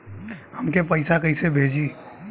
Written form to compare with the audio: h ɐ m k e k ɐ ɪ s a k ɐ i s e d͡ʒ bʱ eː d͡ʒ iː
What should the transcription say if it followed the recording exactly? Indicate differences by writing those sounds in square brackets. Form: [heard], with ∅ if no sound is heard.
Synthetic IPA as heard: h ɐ m k e [p] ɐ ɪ s a k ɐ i s e [∅] bʱ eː d͡ʒ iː